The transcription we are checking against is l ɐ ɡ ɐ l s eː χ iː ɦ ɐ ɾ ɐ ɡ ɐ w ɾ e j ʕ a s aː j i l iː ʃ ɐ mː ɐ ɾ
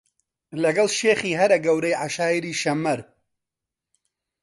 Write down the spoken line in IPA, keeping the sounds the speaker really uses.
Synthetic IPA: l ɐ ɡ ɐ l ʃ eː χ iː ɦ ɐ ɾ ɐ ɡ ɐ w ɾ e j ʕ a ʃ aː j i ɾ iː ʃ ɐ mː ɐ ɾ